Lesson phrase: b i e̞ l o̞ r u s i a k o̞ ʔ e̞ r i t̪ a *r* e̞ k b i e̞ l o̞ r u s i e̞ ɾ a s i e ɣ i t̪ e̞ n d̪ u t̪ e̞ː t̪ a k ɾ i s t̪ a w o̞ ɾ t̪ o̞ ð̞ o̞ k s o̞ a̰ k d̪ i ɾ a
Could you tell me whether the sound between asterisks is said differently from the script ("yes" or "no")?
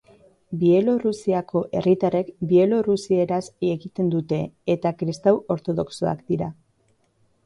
no